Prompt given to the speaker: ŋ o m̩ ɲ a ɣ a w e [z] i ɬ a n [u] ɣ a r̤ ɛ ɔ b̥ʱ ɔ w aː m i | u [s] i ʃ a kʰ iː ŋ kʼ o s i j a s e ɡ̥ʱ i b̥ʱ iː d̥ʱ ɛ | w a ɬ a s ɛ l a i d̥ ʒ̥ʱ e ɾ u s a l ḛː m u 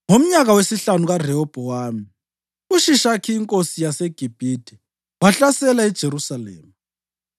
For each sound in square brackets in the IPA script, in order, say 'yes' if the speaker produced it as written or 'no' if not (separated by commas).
no, yes, no